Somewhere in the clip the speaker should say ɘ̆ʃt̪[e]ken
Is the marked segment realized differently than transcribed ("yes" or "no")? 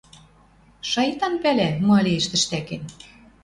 yes